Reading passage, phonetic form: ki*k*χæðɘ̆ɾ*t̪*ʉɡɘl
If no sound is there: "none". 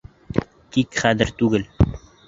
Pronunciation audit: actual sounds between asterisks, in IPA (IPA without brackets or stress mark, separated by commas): k, t̪